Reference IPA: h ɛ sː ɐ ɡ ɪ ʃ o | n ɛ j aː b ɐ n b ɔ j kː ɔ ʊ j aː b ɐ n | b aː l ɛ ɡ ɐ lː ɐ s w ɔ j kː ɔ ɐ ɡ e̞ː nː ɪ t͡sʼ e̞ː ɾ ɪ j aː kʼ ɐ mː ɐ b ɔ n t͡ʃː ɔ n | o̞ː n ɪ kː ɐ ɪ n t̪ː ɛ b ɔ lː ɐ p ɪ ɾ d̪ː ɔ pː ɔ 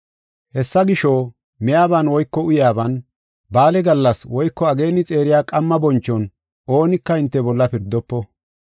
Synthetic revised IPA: h ɛ sː ɐ ɡ ɪ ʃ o | m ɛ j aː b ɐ n w ɔ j kː ɔ ʊ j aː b ɐ n | b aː l ɛ ɡ ɐ lː ɐ s w ɔ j kː ɔ ɐ ɡ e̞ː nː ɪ t͡sʼ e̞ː ɾ ɪ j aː kʼ ɐ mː ɐ b ɔ n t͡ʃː ɔ n | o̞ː n ɪ kː ɐ ɪ n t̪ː ɛ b ɔ lː ɐ p ɪ ɾ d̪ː ɔ pː ɔ